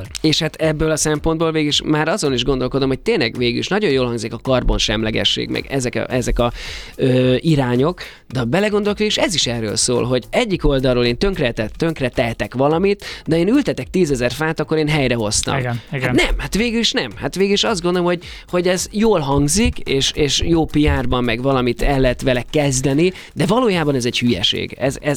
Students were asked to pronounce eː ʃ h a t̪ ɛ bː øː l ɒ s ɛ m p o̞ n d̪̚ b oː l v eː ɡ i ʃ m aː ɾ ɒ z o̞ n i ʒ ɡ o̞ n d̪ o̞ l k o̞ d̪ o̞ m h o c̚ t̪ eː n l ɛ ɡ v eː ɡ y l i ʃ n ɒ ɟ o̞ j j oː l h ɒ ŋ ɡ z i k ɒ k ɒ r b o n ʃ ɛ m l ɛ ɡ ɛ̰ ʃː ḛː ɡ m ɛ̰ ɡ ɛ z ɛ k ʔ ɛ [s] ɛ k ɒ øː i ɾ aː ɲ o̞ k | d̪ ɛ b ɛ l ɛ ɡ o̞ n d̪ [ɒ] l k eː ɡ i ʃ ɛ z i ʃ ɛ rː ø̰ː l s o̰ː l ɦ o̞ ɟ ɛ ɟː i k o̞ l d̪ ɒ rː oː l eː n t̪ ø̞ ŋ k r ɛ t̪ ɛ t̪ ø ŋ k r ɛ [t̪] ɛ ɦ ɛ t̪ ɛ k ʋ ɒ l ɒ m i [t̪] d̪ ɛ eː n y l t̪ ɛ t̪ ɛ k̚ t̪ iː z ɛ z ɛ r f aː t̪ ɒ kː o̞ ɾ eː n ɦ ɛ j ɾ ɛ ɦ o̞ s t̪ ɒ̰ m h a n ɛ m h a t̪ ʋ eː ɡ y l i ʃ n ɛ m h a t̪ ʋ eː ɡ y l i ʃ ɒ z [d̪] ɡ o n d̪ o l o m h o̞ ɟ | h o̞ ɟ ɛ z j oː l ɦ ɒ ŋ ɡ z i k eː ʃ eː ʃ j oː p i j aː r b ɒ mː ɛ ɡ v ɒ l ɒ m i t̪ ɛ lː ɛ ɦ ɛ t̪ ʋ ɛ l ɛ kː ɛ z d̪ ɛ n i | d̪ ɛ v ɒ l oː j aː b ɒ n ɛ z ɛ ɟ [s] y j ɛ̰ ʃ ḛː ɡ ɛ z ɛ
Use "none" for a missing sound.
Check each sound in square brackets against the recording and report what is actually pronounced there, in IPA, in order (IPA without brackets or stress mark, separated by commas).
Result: z, o, t̪, t̪, d̪, h